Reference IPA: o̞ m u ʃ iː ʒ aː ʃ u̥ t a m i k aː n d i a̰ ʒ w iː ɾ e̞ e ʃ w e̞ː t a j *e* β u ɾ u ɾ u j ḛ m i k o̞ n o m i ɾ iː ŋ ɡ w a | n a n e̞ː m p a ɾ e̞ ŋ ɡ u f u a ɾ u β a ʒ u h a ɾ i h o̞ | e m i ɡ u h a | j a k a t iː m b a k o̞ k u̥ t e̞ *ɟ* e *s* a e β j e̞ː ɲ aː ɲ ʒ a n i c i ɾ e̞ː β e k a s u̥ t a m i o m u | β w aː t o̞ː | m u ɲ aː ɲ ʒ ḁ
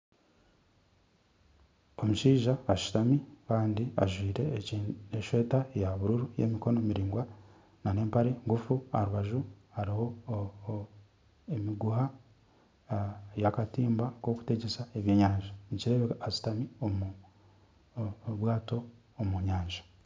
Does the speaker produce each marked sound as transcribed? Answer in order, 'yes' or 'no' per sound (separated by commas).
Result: no, yes, yes